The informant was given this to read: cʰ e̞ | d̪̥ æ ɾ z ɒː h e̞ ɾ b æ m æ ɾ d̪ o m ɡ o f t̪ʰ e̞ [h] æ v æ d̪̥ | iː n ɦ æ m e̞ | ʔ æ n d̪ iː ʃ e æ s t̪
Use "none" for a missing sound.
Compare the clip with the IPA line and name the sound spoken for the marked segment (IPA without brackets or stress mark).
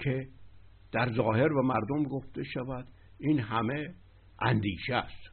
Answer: ʃ